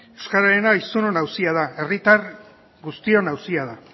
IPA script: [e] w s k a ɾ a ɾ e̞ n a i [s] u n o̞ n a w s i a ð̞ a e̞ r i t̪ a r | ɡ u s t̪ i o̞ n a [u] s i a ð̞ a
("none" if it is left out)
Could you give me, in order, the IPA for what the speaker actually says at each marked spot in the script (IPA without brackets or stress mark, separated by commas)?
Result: e, s, w